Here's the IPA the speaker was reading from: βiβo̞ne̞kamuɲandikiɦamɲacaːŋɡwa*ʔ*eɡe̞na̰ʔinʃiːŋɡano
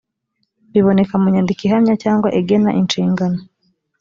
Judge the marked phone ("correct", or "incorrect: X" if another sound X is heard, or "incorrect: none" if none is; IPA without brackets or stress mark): correct